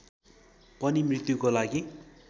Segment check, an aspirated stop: absent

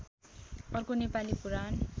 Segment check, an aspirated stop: absent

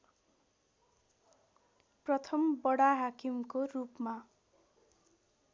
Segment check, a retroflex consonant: present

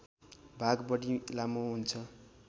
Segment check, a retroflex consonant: present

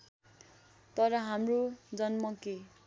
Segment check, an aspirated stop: absent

